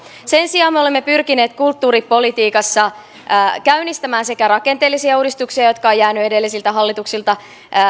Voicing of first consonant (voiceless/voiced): voiceless